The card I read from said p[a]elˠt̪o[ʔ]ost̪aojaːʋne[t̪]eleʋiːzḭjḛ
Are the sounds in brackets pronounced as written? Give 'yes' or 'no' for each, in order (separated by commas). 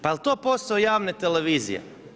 yes, no, yes